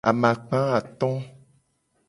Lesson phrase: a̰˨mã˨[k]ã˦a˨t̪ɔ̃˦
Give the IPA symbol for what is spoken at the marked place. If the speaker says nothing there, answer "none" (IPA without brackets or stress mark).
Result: k͡p